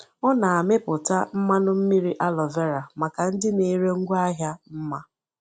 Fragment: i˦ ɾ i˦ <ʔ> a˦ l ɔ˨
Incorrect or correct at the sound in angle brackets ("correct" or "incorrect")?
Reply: correct